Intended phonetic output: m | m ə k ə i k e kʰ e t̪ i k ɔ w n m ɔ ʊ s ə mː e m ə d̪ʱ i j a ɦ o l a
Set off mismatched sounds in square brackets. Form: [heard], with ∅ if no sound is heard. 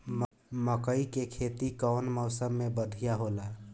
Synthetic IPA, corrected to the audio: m | m ə k ə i k e kʰ e t̪ i k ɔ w n m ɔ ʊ s ə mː e [b] ə d̪ʱ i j a ɦ o l a